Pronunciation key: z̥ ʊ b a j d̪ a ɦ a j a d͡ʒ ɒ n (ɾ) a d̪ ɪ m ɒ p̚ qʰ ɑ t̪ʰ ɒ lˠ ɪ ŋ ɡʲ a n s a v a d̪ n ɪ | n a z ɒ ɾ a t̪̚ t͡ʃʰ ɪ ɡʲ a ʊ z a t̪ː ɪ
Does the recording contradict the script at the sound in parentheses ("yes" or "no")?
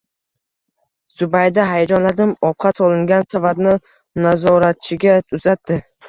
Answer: yes